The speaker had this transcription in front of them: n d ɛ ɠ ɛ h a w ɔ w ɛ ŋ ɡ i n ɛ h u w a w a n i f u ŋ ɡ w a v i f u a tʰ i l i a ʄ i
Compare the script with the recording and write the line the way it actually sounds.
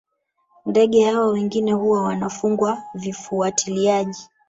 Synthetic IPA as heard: n d ɛ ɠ ɛ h a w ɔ w ɛ ŋ ɡ i n ɛ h u w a w a n a f u ŋ ɡ w a v i f u a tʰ i l i a ʄ i